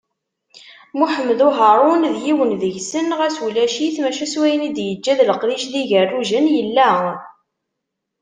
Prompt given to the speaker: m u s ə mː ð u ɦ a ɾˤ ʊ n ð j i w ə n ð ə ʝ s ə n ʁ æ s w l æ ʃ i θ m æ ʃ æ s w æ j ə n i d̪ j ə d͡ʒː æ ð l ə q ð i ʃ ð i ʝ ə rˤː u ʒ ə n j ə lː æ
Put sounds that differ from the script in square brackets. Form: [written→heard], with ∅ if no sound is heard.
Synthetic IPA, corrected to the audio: m u [s→ħ] ə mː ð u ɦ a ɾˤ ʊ n ð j i w ə n ð ə ʝ s ə n ʁ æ s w l æ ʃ i θ m æ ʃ æ s w æ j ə n i d̪ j ə d͡ʒː æ ð l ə q ð i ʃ ð i ʝ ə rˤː u ʒ ə n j ə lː æ

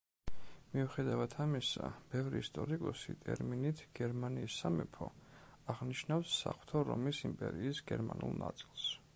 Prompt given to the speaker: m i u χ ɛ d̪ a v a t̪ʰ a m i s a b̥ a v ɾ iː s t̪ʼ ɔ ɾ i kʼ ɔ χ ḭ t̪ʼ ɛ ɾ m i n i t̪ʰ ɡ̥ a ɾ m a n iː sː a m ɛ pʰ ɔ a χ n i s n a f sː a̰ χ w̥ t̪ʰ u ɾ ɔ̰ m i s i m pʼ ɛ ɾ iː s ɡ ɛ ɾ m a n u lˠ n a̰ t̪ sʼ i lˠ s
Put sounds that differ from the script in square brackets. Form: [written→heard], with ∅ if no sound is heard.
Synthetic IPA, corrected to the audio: m i u χ ɛ d̪ a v a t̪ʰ a m i s a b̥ [a→ɛ] v ɾ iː s t̪ʼ ɔ ɾ i kʼ ɔ [χ→s] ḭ t̪ʼ ɛ ɾ m i n i t̪ʰ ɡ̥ [a→ɛ] ɾ m a n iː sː a m ɛ pʰ ɔ a [χ→ʁ] n i [s→ʃ] n a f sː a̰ χ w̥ t̪ʰ [u→ɔ] ɾ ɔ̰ m i s i m pʼ ɛ ɾ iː s ɡ ɛ ɾ m a n u lˠ n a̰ t̪ sʼ i lˠ s

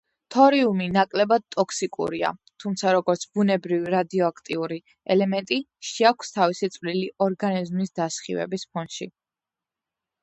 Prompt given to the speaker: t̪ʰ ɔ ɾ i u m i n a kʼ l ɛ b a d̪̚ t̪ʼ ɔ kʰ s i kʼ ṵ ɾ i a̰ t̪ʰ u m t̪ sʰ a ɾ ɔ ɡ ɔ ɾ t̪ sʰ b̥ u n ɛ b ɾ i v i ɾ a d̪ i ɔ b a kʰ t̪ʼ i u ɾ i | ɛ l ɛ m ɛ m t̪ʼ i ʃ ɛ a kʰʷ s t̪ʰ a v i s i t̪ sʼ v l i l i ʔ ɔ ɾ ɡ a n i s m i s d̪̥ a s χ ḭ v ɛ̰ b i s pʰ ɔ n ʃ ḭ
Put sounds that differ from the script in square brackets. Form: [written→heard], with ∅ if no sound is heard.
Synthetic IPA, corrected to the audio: t̪ʰ ɔ ɾ i u m i n a kʼ l ɛ b a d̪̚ t̪ʼ ɔ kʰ s i kʼ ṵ ɾ i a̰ t̪ʰ u m t̪ sʰ a ɾ ɔ ɡ ɔ ɾ t̪ sʰ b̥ u n ɛ b ɾ i v i ɾ a d̪ i ɔ [b→∅] a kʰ t̪ʼ i u ɾ i | ɛ l ɛ m ɛ [m→n] t̪ʼ i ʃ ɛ a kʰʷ s t̪ʰ a v i s i t̪ sʼ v l i l i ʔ ɔ ɾ ɡ a n i [s→z] m i s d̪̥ a s χ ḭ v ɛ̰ b i s pʰ ɔ n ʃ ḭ

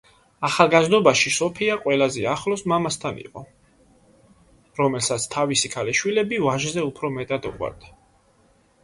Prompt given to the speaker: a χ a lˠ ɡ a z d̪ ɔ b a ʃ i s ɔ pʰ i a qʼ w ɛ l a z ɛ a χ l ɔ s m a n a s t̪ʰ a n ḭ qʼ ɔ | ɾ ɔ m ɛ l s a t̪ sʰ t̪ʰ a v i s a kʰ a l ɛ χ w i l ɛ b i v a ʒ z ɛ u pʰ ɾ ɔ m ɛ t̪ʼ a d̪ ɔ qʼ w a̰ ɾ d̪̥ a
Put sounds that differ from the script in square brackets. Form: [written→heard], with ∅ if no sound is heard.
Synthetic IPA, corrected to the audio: a χ a lˠ ɡ a z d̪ ɔ b a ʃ i s ɔ pʰ i a qʼ w ɛ l a z ɛ a χ l ɔ s m a [n→m] a s t̪ʰ a n ḭ qʼ ɔ | ɾ ɔ m ɛ l s a t̪ sʰ t̪ʰ a v i s [a→i] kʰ a l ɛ [χ→ʃ] w i l ɛ b i v a ʒ z ɛ u pʰ ɾ ɔ m ɛ t̪ʼ a d̪ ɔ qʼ w a̰ ɾ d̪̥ a

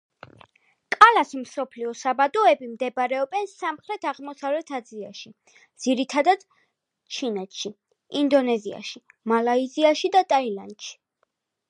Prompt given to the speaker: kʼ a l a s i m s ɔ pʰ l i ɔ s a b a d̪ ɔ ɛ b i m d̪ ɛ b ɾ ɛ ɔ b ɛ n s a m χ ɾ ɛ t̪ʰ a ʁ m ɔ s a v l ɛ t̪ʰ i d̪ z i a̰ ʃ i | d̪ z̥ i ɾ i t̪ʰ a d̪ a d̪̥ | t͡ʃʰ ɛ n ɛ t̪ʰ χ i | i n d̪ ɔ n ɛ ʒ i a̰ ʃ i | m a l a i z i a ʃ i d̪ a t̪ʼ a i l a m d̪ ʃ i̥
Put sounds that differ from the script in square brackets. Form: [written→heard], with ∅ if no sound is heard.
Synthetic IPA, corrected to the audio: kʼ a l a s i m s ɔ pʰ l i ɔ s a b a d̪ ɔ ɛ b i m d̪ ɛ b ɾ ɛ ɔ b ɛ n s a m χ ɾ ɛ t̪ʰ a ʁ m ɔ s a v l ɛ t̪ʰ [i→a] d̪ z i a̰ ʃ i | d̪ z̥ i ɾ i t̪ʰ a d̪ a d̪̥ | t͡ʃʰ [ɛ→i] n ɛ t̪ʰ [χ→ʃ] i | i n d̪ ɔ n ɛ [ʒ→z] i a̰ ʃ i | m a l a i z i a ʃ i d̪ a t̪ʼ a i l a [m→n] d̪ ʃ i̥

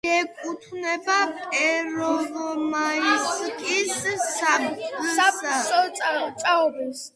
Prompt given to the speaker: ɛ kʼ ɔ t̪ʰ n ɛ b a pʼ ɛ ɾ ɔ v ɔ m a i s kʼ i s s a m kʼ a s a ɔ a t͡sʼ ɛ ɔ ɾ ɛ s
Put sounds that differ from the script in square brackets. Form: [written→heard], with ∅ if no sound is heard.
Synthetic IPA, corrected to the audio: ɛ kʼ [ɔ→u] t̪ʰ n ɛ b a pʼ ɛ ɾ ɔ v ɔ m a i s kʼ i s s a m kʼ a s a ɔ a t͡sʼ [ɛ→a] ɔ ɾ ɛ s

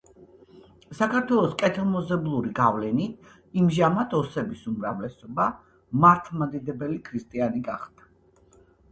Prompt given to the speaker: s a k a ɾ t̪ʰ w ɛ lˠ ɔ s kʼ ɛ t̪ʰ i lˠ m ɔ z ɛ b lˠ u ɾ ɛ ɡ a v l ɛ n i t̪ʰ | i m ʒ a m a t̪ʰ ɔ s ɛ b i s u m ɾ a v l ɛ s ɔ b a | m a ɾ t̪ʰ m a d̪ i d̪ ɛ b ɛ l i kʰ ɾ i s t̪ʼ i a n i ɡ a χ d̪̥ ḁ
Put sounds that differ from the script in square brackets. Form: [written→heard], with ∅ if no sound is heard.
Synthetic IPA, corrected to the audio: s a k a ɾ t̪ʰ w ɛ lˠ ɔ s kʼ ɛ t̪ʰ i lˠ m ɔ z ɛ b lˠ u ɾ [ɛ→i] ɡ a v l ɛ n i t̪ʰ | i m ʒ a m a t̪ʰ ɔ s ɛ b i s u m ɾ a v l ɛ s ɔ b a | m a ɾ t̪ʰ m a d̪ i d̪ ɛ b ɛ l i kʰ ɾ i s t̪ʼ i a n i ɡ a χ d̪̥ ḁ

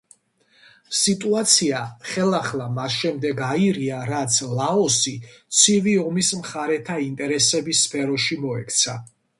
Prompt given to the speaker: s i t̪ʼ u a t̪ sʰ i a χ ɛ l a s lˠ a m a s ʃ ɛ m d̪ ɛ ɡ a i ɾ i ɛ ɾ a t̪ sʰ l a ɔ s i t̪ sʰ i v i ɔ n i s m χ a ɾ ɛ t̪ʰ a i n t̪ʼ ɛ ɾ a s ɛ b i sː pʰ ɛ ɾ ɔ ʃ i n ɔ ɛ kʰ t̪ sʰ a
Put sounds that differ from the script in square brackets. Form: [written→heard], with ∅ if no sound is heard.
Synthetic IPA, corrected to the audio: s i t̪ʼ u a t̪ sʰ i a χ ɛ l a [s→χ] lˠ a m a s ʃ ɛ m d̪ ɛ ɡ a i ɾ i [ɛ→a] ɾ a t̪ sʰ l a ɔ s i t̪ sʰ i v i ɔ [n→m] i s m χ a ɾ ɛ t̪ʰ a i n t̪ʼ ɛ ɾ [a→ɛ] s ɛ b i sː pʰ ɛ ɾ ɔ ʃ i [n→m] ɔ ɛ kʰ t̪ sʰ a

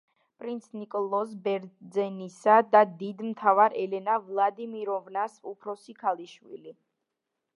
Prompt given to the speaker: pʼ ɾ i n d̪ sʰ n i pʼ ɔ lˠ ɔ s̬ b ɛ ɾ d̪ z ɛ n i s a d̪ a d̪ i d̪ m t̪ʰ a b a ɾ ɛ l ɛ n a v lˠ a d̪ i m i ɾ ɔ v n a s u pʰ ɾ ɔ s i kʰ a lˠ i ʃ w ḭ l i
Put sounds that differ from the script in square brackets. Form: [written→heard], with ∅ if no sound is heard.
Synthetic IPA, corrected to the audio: pʼ ɾ i n [d̪→t̪] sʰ n i [pʼ→kʼ] ɔ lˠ ɔ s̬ b ɛ ɾ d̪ z ɛ n i s a d̪ a d̪ i d̪ m t̪ʰ a [b→v] a ɾ ɛ l ɛ n a v lˠ a d̪ i m i ɾ ɔ v n a s u pʰ ɾ ɔ s i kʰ a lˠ i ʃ w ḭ l i

